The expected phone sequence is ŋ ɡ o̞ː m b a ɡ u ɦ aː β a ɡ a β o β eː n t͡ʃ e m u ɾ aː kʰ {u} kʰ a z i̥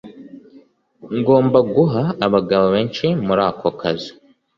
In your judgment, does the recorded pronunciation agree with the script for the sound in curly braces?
no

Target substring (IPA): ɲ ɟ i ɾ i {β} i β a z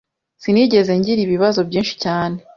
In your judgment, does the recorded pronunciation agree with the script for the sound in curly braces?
yes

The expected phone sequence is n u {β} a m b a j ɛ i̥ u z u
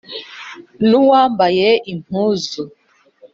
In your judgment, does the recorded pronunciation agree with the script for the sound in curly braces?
no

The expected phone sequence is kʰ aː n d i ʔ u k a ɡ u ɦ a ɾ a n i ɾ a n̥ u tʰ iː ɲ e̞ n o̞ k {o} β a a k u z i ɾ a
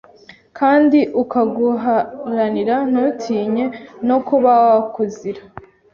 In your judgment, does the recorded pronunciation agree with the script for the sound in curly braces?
no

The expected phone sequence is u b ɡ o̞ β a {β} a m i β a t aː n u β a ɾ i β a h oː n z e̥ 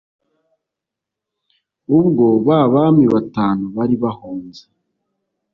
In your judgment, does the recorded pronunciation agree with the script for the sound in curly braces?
yes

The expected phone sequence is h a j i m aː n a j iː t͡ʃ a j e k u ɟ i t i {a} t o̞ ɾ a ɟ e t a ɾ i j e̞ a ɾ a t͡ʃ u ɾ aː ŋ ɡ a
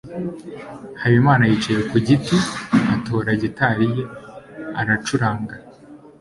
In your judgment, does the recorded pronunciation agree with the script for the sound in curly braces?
yes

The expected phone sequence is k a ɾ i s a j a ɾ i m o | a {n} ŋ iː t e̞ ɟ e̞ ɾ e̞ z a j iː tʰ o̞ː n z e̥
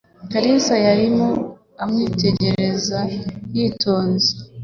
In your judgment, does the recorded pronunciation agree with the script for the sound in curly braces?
no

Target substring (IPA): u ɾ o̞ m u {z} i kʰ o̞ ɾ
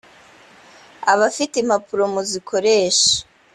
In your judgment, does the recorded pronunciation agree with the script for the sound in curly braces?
yes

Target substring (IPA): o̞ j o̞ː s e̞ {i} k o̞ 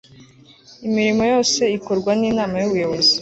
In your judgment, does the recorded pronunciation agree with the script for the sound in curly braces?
yes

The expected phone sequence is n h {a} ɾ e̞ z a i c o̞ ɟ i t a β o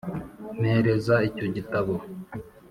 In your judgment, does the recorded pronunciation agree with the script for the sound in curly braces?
no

